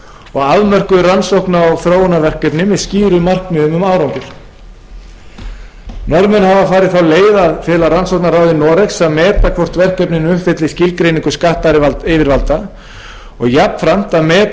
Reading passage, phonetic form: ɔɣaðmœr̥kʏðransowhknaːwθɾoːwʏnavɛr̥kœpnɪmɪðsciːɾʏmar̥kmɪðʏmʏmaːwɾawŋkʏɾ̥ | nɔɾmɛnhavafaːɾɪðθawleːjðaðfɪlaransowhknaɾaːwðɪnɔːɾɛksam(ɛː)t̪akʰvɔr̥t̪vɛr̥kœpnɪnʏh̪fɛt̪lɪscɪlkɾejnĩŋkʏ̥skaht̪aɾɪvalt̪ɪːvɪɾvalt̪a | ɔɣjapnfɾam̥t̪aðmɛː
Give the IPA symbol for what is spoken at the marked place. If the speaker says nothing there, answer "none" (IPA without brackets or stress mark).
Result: ɛː